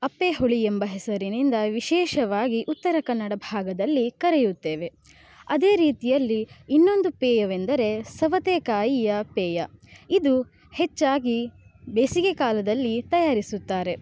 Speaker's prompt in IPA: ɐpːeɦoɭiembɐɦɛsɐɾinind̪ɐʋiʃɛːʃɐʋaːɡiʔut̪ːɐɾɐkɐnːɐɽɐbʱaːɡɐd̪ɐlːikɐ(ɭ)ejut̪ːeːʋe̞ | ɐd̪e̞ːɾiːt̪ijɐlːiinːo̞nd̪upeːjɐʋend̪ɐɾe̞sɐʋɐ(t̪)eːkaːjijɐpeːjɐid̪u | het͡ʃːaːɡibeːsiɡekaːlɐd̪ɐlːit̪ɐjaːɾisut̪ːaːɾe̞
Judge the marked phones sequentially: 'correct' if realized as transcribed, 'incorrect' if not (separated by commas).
incorrect, correct